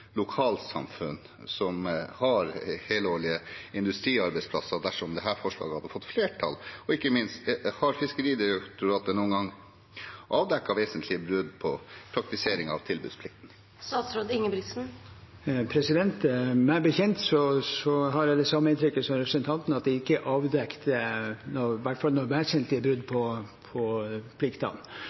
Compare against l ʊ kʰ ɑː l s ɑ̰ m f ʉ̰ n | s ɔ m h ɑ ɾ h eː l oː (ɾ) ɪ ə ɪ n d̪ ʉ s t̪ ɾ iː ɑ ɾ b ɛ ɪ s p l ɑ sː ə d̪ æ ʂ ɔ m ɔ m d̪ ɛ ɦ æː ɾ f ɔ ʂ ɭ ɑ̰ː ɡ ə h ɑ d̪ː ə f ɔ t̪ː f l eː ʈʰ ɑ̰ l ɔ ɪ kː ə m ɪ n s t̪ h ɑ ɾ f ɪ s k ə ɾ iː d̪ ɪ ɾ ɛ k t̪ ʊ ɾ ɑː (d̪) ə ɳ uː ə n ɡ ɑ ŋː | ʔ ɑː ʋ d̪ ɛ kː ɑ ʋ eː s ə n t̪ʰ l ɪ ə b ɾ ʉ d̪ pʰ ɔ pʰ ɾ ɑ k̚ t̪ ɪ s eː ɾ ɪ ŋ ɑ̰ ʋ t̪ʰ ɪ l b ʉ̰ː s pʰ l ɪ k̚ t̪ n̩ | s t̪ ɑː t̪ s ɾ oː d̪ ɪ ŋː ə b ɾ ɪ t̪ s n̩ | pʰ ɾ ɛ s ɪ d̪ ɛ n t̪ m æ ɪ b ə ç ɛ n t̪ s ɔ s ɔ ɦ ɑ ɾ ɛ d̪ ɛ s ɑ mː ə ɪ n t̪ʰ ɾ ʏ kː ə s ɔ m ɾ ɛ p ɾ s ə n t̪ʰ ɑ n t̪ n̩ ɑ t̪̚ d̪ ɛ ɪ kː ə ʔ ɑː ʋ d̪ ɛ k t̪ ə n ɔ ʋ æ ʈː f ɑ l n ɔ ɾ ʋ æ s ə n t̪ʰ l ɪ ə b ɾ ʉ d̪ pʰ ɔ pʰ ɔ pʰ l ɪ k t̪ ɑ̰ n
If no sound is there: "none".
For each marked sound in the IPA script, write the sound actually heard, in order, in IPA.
ɭ, t̪

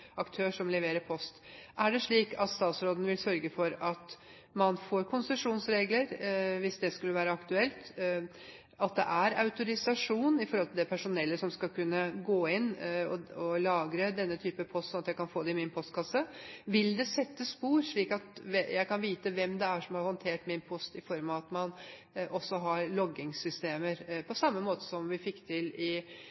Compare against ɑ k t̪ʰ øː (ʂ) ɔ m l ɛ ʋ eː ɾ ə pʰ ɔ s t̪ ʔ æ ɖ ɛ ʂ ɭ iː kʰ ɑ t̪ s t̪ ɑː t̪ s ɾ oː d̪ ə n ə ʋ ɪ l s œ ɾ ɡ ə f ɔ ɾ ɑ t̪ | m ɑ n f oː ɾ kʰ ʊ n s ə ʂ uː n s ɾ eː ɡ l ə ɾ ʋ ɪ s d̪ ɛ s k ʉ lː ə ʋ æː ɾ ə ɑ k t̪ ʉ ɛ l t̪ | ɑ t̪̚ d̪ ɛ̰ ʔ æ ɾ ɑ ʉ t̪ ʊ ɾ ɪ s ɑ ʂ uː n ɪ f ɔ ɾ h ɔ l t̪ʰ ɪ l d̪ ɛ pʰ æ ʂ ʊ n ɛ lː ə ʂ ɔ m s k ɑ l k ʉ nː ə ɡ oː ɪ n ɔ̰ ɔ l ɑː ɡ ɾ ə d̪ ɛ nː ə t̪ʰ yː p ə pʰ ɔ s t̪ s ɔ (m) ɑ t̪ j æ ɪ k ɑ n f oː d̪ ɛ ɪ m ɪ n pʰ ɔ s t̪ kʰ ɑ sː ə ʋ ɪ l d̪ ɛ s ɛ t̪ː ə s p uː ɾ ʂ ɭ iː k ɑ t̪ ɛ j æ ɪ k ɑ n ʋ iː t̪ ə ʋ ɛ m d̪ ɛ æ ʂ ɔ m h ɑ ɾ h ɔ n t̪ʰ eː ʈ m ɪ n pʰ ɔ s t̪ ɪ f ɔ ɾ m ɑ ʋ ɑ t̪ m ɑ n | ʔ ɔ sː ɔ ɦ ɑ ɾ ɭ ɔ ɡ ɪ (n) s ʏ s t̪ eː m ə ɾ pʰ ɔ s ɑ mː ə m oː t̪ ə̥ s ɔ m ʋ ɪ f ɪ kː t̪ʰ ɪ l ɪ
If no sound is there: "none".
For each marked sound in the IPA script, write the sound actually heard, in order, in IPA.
ʂ, n, ŋ

